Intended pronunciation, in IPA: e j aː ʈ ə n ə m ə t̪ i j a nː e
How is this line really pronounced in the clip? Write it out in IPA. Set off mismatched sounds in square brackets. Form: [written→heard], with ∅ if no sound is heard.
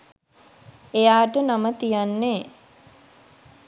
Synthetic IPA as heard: e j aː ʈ ə n [ə→a] m ə t̪ i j a nː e